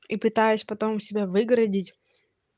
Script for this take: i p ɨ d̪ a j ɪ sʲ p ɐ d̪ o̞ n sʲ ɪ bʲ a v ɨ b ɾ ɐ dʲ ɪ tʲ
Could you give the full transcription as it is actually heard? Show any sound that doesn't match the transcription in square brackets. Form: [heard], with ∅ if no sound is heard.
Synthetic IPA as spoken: i p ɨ [t̪] a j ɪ sʲ p ɐ [t̪] o̞ [m] sʲ ɪ bʲ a v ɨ [ɡ] ɾ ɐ dʲ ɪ tʲ